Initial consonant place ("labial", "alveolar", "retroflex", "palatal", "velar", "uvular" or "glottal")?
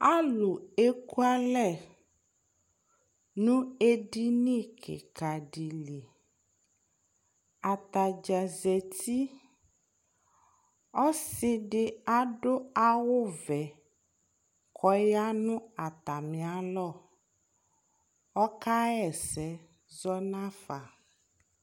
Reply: alveolar